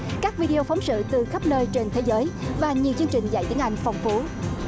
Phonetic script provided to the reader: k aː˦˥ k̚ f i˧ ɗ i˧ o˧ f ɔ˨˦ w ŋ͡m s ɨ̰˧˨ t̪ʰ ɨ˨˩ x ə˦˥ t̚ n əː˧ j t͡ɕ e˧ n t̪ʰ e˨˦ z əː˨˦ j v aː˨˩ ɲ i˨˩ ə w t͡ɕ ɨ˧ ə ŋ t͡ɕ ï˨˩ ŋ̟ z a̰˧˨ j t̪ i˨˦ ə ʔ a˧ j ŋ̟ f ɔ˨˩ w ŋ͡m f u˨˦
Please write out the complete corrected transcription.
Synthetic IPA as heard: k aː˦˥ k̚ v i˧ ɗ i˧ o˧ f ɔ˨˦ w ŋ͡m s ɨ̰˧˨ t̪ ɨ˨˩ x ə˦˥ p̚ n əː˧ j t͡ɕ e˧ n t̪ʰ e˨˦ z əː˨˦ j v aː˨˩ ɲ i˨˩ ə w t͡ɕ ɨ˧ ə ŋ t͡ɕ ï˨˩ ŋ̟ z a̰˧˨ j t̪ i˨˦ ə ʔ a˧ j ŋ̟ f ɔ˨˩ w ŋ͡m f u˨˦

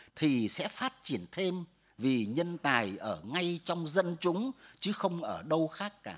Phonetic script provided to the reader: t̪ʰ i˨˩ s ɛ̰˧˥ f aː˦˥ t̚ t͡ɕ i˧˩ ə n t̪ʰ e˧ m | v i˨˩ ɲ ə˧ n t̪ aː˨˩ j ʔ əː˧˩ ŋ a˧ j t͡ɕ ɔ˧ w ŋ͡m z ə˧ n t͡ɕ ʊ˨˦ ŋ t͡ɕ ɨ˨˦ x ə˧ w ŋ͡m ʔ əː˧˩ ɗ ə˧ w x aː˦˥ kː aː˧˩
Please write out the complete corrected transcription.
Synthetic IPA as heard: t̪ʰ i˨˩ s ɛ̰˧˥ f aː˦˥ t̚ t͡ɕ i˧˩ ə n t̪ʰ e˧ m | v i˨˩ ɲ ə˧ n t̪ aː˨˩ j ʔ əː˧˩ ŋ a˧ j t͡ɕ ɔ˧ w ŋ͡m z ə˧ n t͡ɕ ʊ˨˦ ŋ͡m t͡ɕ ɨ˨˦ x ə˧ w ŋ͡m ʔ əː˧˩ ɗ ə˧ w x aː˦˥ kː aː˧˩

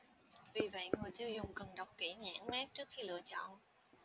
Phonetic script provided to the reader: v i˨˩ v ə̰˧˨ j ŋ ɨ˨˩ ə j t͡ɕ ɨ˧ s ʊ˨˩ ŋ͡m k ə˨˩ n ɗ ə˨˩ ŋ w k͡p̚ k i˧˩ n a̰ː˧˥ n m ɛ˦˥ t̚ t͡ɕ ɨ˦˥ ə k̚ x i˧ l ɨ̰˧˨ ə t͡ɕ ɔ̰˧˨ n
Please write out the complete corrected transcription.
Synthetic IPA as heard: v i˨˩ v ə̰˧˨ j ŋ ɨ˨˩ ə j t͡ɕ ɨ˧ z ʊ˨˩ ŋ͡m k ə˨˩ n ɗ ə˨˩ w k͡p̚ k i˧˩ ɲ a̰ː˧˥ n m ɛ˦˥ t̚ t͡ɕ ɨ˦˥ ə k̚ x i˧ l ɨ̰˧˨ ə t͡ɕ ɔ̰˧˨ n

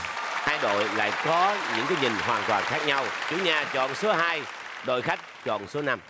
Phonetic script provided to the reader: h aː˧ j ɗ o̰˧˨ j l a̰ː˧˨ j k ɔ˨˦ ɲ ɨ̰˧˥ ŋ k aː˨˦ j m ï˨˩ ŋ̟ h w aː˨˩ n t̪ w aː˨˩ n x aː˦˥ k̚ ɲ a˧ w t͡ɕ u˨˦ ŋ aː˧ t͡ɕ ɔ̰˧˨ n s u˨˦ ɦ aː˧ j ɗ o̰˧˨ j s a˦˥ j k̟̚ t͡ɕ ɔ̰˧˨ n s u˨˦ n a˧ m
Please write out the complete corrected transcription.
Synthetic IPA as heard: h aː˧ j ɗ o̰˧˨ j l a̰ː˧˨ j k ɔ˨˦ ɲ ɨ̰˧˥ ŋ k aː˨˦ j ɲ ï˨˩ ŋ̟ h w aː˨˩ n t̪ w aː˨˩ n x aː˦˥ k̚ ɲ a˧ w t͡ɕ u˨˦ ɲ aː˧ t͡ɕ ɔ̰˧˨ n s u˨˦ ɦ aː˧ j ɗ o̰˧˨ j x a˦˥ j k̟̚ t͡ɕ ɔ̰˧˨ n s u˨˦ n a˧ m

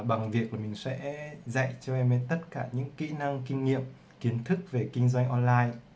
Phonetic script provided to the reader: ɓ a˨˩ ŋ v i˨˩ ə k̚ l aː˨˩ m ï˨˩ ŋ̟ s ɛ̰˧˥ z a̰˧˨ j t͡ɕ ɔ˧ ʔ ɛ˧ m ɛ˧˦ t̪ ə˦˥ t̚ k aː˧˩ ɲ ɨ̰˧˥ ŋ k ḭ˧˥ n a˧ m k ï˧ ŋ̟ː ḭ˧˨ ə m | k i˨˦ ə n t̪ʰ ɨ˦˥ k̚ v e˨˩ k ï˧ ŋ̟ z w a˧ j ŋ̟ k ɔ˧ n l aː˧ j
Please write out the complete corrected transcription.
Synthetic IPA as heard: ɓ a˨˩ ŋ v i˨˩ ə k̚ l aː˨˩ m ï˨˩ ŋ̟ s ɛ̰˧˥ z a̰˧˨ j t͡ɕ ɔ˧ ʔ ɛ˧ m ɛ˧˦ t̪ ə˦˥ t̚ k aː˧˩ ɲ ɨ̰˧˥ ŋ k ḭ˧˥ n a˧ ŋ k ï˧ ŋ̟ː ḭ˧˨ ə m | k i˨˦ ə n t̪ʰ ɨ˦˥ k̚ v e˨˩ k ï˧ ŋ̟ z w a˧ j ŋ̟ ʔ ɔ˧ n l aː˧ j

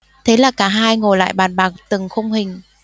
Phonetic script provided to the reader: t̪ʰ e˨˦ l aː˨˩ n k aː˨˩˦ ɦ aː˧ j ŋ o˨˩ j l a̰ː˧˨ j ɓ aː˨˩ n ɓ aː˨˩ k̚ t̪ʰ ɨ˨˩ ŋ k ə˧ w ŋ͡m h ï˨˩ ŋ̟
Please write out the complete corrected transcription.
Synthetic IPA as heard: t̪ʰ e˨˦ l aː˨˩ k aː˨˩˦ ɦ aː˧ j ŋ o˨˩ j l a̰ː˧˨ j ɓ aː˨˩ n ɓ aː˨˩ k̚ t̪ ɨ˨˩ ŋ x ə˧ w ŋ͡m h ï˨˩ ŋ̟

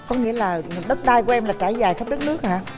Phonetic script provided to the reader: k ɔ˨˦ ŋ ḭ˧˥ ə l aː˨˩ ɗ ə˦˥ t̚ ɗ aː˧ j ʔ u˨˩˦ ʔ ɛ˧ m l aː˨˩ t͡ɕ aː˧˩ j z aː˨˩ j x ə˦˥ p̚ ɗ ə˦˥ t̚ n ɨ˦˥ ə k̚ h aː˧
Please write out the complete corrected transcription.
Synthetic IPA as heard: k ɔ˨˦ ŋ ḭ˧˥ ə l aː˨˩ ɗ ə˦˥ t̚ ɗ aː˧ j k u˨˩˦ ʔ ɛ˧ m l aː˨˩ t͡ɕ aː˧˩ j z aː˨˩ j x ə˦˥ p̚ ɗ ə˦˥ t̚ n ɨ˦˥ ə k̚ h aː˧

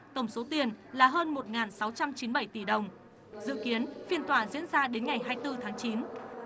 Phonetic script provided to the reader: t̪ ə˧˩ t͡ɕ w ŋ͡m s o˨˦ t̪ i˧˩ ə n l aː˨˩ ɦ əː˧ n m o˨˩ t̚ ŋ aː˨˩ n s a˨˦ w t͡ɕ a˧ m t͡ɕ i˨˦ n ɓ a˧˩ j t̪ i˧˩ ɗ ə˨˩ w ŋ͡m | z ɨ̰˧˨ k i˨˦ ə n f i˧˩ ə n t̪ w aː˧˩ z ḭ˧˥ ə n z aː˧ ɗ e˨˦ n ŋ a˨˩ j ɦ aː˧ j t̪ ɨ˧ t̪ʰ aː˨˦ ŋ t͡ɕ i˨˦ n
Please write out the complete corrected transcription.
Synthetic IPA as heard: t̪ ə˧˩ w ŋ͡m s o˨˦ t̪ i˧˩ ə n l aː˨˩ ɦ əː˧ n m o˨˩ t̚ ŋ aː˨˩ n s a˨˦ w t͡ɕ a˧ m t͡ɕ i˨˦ n ɓ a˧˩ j t̪ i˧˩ ɗ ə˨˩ w ŋ͡m | z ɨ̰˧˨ k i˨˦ ə n f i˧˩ ə n t̪ w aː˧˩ z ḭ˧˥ ə n z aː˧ ɗ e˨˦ n ŋ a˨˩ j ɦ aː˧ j t̪ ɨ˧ t̪ʰ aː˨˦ ŋ t͡ɕ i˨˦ n

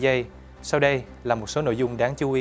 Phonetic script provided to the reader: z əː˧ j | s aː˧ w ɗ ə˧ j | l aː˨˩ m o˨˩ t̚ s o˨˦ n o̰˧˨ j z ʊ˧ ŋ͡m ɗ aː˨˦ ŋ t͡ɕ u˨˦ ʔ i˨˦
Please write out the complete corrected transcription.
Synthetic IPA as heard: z ə˧ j | s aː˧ w ɗ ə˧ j | l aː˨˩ m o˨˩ t̚ s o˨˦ n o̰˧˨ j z ʊ˧ ŋ͡m ɗ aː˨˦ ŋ t͡ɕ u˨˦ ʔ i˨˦

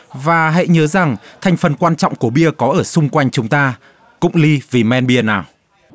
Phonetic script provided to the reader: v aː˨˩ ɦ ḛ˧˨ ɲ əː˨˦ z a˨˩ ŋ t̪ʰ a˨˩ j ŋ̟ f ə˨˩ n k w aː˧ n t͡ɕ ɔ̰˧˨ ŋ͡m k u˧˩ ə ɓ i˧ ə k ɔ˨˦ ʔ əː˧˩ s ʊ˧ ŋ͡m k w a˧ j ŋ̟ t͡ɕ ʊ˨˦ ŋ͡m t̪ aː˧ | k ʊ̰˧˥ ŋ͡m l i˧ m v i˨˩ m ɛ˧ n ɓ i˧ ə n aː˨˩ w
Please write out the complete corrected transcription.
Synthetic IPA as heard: v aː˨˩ ɦ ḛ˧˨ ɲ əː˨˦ z a˨˩ ŋ t̪ʰ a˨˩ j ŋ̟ f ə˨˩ n k w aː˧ n t͡ɕ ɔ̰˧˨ ŋ͡m k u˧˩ ə ɓ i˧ ə k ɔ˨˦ ʔ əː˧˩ s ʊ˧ ŋ͡m k w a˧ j ŋ̟ t͡ɕ ʊ˨˦ ŋ͡m t̪ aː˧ | k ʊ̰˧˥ ŋ͡m l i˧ v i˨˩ m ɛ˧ n ɓ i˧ ə n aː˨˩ w

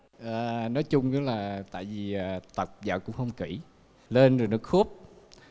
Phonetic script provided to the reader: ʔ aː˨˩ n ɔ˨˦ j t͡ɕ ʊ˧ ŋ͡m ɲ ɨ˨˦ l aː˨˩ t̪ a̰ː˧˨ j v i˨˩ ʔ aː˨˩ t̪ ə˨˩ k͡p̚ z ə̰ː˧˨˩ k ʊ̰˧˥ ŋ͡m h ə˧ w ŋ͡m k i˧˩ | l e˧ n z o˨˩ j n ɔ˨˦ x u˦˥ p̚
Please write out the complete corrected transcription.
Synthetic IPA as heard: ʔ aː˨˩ n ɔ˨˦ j t͡ɕ ʊ˧ ŋ͡m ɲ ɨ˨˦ l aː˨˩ t̪ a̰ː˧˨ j v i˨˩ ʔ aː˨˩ t̪ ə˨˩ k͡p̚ z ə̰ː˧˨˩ k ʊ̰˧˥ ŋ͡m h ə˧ w ŋ͡m k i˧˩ | l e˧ n z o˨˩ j n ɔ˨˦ x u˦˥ p̚

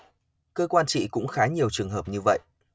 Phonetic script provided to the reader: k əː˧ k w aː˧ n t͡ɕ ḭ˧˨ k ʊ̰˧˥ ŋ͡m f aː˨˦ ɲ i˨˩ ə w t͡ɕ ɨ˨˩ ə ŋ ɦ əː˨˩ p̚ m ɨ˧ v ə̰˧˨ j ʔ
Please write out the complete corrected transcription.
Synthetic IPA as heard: k əː˧ k w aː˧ n t͡ɕ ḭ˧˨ k ʊ̰˧˥ ŋ͡m x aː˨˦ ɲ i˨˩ ə w t͡ɕ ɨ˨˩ ə ŋ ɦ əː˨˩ p̚ ɲ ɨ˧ v ə̰˧˨ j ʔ

